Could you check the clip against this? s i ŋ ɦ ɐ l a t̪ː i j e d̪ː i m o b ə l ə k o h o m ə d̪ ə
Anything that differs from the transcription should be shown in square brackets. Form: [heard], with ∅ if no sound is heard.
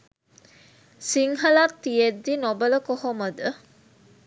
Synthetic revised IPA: s i ŋ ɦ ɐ l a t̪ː i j e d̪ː i [n] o b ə l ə k o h o m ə d̪ ə